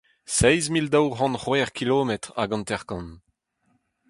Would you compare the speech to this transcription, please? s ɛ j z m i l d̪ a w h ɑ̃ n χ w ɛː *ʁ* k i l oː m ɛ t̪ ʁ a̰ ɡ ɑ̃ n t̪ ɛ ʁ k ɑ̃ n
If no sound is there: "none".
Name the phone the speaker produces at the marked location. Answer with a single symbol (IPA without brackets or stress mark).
ʁ